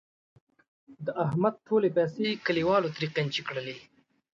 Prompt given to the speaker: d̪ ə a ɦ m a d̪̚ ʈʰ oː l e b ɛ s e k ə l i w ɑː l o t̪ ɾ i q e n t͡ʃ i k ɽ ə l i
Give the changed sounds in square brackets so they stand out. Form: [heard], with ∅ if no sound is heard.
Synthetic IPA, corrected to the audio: d̪ ə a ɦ m a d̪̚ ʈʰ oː l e [p] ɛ s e k ə l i w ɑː l o t̪ ɾ i q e n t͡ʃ i k ɽ ə l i